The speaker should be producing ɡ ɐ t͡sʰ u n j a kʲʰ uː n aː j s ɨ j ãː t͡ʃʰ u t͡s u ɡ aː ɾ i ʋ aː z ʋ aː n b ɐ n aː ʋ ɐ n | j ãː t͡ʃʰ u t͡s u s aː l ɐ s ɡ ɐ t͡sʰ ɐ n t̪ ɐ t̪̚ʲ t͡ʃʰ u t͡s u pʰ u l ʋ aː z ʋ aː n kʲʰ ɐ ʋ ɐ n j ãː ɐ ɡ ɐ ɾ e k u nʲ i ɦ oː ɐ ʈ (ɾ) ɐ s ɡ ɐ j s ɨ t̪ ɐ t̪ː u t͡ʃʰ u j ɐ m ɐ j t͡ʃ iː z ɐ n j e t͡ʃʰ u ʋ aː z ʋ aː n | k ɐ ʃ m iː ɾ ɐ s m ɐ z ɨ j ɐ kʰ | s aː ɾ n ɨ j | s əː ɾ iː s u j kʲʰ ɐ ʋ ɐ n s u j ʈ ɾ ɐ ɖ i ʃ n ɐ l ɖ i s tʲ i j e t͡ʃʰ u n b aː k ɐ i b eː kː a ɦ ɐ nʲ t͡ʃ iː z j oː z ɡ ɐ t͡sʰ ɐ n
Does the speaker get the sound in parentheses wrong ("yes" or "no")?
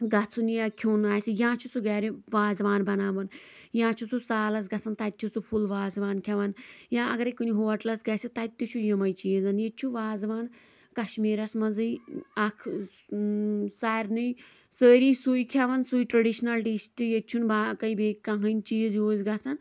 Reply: yes